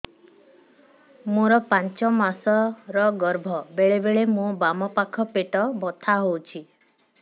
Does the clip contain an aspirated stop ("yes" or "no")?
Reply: yes